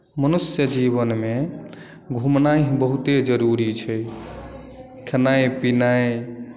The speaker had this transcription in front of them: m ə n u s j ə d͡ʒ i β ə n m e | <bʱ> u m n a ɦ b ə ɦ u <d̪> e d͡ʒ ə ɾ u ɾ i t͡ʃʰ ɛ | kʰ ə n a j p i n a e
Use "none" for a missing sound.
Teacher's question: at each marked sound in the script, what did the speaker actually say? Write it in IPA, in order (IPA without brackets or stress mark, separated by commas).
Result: ɡʱ, t̪